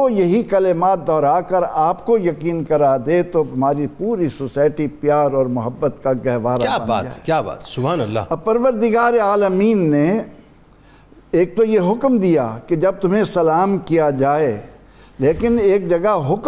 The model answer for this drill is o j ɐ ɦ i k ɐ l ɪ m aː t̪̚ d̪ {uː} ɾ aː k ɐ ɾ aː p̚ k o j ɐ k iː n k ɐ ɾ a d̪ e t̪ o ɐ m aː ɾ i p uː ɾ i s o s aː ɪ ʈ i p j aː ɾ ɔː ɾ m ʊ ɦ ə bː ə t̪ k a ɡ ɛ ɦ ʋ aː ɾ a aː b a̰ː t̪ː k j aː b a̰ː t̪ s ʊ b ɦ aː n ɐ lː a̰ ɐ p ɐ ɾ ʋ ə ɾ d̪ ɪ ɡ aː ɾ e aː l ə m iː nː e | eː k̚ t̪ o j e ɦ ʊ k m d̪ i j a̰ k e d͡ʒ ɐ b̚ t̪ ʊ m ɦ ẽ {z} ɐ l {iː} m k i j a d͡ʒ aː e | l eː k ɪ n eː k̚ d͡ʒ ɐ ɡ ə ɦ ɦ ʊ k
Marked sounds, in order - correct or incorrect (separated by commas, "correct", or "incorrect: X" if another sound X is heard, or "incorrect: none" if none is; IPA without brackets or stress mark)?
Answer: incorrect: ɔː, incorrect: s, incorrect: aː